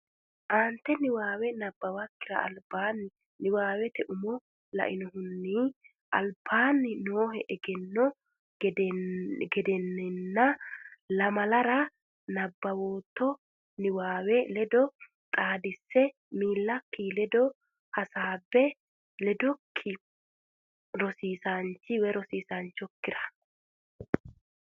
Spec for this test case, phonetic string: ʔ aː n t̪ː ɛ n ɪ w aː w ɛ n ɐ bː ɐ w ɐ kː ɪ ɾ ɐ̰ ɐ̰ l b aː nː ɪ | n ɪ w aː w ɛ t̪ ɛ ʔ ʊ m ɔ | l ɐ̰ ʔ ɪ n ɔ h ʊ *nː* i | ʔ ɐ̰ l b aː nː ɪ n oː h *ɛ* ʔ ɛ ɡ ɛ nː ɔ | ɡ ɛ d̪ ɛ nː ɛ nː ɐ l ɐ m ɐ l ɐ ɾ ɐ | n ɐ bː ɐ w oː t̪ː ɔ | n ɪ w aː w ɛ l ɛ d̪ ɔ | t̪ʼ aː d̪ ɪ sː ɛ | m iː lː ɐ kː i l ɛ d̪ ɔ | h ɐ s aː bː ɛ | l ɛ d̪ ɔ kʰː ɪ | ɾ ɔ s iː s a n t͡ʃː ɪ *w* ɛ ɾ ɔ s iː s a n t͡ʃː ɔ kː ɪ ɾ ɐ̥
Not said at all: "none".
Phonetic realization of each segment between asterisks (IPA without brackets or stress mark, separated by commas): nː, ɛ, w